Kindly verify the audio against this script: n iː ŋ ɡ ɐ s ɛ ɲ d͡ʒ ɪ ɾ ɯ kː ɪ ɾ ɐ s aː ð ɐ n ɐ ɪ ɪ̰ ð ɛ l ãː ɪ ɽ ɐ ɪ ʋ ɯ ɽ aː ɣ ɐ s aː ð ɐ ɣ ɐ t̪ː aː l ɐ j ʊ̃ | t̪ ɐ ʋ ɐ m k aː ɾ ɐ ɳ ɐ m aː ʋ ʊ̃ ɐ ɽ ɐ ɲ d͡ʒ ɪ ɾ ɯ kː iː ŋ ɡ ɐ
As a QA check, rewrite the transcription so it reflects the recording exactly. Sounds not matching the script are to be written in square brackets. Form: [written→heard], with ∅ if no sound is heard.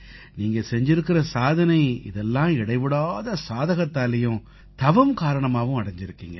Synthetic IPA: n iː ŋ ɡ ɐ s ɛ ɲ d͡ʒ ɪ ɾ ɯ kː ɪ ɾ ɐ s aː ð ɐ n ɐ ɪ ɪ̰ ð ɛ [l→lː] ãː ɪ ɽ ɐ ɪ ʋ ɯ ɽ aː [ɣ→ð] ɐ s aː ð ɐ ɣ ɐ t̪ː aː l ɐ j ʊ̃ | t̪ ɐ ʋ ɐ m k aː ɾ ɐ ɳ ɐ m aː ʋ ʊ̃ ɐ ɽ ɐ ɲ d͡ʒ ɪ ɾ ɯ kː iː ŋ ɡ ɐ